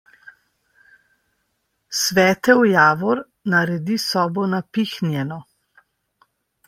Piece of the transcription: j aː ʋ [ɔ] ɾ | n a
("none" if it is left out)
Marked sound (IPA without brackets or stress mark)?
ɔ